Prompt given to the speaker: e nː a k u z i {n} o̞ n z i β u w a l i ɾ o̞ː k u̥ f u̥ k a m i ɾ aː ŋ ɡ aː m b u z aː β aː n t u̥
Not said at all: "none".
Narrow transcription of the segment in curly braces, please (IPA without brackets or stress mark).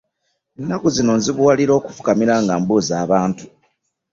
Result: n